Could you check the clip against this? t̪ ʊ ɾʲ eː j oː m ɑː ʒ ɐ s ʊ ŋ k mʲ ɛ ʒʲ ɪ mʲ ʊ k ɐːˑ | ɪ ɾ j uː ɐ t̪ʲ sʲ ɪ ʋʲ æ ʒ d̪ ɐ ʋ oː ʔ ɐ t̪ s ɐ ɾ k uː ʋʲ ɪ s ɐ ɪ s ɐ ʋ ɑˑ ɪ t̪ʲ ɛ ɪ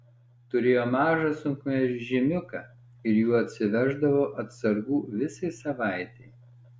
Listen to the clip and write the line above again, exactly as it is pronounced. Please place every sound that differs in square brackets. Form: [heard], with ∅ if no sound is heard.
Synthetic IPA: t̪ ʊ ɾʲ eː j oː m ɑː ʒ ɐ s ʊ ŋ k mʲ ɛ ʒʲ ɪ mʲ ʊ k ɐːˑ | ɪ ɾ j uː ɐ t̪ʲ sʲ ɪ ʋʲ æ ʒ d̪ ɐ ʋ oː ʔ ɐ t̪ s ɐ ɾ [ɡ] uː ʋʲ ɪ s ɐ ɪ s ɐ ʋ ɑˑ ɪ t̪ʲ ɛ ɪ